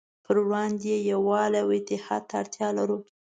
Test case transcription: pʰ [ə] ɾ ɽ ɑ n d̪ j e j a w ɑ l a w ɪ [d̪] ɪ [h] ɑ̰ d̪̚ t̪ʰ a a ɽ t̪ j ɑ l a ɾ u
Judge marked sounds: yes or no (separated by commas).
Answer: yes, no, yes